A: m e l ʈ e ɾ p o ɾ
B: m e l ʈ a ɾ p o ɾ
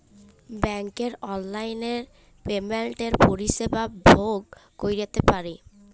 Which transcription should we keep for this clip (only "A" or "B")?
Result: A